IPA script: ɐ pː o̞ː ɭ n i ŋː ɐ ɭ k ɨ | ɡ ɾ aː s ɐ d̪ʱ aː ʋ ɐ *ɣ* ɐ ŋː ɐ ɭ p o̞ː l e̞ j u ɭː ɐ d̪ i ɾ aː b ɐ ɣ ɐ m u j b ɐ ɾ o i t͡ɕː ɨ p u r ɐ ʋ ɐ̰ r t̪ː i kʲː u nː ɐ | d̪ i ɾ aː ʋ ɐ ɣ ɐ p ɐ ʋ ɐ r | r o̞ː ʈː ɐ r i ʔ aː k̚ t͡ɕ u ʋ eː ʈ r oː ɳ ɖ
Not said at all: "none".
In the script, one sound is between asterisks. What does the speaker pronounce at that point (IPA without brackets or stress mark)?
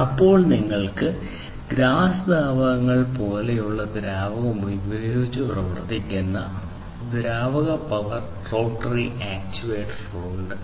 ɣ